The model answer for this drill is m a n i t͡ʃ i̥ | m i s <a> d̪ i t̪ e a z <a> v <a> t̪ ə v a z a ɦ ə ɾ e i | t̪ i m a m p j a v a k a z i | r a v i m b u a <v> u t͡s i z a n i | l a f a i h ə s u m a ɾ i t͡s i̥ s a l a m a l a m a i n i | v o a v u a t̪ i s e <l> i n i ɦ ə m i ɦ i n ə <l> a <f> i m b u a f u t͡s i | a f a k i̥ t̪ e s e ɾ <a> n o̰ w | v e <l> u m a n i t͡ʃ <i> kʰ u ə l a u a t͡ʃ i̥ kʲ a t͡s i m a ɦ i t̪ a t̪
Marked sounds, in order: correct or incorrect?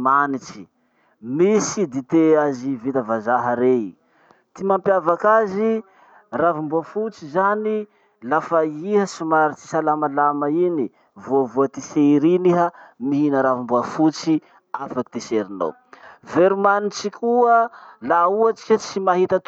incorrect, incorrect, incorrect, incorrect, incorrect, incorrect, incorrect, incorrect, incorrect, correct

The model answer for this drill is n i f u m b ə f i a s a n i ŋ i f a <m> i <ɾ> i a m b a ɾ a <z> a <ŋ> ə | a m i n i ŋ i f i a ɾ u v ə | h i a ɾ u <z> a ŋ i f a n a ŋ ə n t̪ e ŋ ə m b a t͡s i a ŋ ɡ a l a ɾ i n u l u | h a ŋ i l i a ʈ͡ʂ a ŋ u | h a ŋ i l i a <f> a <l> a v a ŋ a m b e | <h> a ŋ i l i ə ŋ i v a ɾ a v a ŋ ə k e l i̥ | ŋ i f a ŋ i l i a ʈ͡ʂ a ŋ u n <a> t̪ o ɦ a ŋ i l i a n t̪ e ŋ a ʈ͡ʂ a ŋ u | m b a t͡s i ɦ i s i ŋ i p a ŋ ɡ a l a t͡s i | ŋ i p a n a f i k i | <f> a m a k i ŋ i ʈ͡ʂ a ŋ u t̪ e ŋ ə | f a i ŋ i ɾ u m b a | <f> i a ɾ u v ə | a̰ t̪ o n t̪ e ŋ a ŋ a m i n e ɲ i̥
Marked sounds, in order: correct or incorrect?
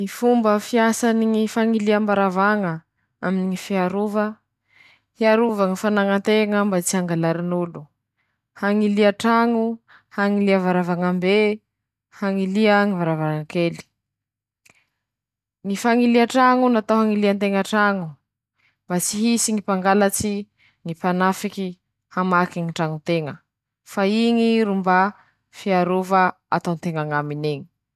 incorrect, incorrect, incorrect, correct, incorrect, incorrect, incorrect, correct, correct, incorrect, correct

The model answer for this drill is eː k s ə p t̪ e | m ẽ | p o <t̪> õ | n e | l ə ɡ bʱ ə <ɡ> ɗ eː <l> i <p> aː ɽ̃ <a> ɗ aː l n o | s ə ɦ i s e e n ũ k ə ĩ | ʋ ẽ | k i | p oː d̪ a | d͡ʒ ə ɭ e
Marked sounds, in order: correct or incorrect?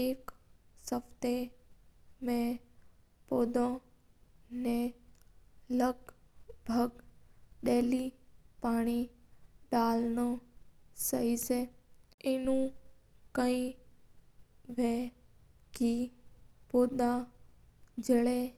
incorrect, correct, correct, correct, incorrect

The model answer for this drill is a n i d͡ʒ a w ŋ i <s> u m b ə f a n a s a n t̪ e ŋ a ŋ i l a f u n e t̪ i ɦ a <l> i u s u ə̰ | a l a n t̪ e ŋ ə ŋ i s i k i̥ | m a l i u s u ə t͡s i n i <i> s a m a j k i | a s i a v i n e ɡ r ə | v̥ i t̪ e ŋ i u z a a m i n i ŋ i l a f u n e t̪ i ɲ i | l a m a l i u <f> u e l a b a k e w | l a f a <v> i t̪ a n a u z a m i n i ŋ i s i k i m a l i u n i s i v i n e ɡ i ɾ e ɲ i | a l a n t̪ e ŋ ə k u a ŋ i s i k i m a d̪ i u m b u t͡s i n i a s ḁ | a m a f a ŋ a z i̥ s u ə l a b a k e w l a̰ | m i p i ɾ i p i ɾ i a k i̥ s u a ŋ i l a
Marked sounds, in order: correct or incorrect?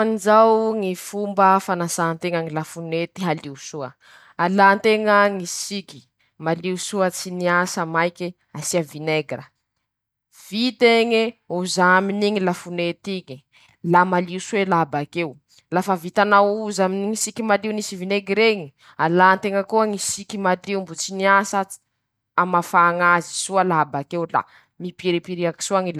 incorrect, correct, incorrect, incorrect, correct

